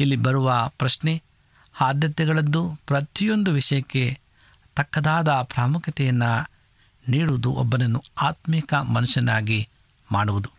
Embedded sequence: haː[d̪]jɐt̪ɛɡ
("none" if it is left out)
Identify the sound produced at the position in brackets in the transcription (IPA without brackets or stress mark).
d̪